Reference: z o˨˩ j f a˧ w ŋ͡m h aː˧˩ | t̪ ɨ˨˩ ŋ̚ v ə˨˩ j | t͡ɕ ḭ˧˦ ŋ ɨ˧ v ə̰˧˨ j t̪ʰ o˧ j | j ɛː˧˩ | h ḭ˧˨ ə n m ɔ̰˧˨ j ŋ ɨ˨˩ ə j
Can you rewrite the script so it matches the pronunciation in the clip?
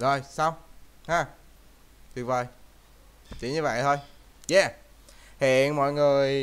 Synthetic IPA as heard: z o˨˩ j s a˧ w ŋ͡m h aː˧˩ | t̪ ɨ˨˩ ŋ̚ v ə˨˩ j | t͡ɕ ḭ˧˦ ɲ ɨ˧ v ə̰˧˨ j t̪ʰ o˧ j | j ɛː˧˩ | h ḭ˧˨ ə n m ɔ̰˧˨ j ŋ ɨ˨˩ ə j